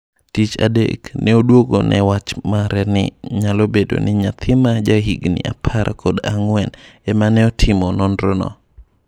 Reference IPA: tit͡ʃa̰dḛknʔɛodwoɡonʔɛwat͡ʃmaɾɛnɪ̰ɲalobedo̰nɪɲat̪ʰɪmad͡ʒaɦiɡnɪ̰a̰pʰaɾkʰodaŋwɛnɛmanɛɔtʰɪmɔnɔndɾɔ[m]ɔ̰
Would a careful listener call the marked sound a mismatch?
yes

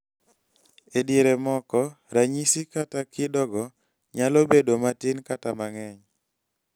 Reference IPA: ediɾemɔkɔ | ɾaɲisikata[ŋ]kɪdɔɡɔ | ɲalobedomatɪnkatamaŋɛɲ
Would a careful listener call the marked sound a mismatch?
yes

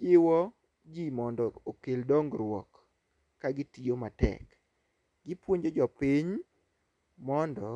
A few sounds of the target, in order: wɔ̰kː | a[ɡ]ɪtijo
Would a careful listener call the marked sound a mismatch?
no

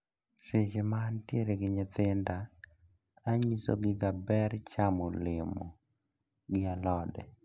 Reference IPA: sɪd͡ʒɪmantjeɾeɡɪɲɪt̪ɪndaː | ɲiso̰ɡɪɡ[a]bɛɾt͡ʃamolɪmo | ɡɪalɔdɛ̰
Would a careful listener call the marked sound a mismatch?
no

